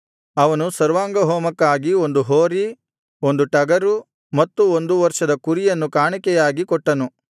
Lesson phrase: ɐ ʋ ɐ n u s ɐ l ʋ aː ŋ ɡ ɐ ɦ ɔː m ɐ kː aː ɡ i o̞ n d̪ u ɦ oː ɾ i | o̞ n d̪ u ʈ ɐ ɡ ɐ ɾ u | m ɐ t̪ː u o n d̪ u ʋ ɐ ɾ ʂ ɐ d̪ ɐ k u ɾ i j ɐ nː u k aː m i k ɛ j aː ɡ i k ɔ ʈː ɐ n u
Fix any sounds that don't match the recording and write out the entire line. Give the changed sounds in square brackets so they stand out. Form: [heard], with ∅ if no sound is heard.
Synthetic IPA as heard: ɐ ʋ ɐ n u s ɐ [ɾ] ʋ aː ŋ ɡ ɐ ɦ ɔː m ɐ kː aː ɡ i o̞ n d̪ u ɦ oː ɾ i | o̞ n d̪ u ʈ ɐ ɡ ɐ ɾ u | m ɐ t̪ː u o n d̪ u ʋ ɐ ɾ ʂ ɐ d̪ ɐ k u ɾ i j ɐ nː u k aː [ɳ] i k ɛ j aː ɡ i k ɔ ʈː ɐ n u